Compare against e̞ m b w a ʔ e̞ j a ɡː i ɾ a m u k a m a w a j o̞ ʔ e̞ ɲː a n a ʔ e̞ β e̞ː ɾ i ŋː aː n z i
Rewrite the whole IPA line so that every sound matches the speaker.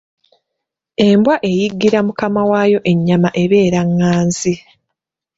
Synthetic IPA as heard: e̞ m b w a ʔ e̞ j i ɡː i ɾ a m u k a m a w a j o̞ ʔ e̞ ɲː a m a ʔ e̞ β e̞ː ɾ a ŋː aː n z i